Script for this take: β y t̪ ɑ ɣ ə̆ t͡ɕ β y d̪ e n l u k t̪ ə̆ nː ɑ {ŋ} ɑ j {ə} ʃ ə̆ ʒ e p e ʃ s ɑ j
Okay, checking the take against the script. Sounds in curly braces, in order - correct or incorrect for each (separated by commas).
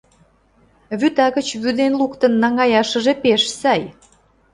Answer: correct, incorrect